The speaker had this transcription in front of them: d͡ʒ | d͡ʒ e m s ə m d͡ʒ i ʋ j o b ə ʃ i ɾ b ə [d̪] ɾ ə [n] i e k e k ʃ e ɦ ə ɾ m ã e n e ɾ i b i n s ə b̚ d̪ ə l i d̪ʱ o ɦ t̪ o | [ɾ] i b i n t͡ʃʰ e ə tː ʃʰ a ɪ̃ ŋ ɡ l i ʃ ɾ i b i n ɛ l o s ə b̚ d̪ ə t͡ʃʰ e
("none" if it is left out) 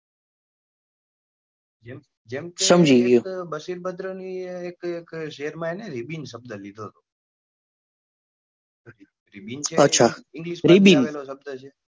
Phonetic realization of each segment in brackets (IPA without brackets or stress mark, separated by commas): d̪, n, ɾ